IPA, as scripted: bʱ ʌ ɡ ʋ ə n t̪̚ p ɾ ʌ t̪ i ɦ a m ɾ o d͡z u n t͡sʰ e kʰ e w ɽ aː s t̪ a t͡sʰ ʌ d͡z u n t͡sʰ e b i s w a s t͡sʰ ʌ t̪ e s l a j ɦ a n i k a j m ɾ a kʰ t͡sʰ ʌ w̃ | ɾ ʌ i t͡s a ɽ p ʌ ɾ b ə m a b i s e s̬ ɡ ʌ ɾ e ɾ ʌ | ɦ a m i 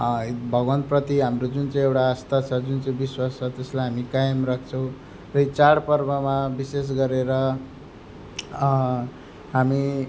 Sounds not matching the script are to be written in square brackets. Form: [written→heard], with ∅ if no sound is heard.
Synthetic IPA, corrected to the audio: bʱ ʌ ɡ ʋ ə n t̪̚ p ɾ ʌ t̪ i ɦ a m ɾ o d͡z u n [t͡sʰ→t͡s] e [kʰ→∅] e w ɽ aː s t̪ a t͡sʰ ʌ d͡z u n [t͡sʰ→t͡s] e b i s w a s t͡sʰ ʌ t̪ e s l a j ɦ a [n→m] i k a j m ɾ a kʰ t͡sʰ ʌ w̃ | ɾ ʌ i t͡s a ɽ p ʌ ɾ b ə m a b i s e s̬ ɡ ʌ ɾ e ɾ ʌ | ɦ a m i